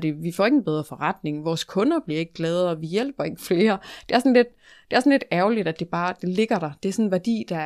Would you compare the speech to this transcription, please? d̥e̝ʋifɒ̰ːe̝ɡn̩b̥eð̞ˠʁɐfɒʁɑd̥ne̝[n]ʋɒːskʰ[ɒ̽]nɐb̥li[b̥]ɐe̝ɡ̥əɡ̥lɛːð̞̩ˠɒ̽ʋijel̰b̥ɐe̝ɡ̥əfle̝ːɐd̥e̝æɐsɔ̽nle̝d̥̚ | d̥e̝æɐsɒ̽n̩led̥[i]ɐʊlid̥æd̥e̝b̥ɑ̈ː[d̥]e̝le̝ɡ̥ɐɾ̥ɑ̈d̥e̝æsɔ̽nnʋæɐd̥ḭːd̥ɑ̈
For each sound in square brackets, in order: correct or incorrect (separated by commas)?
incorrect, incorrect, incorrect, incorrect, correct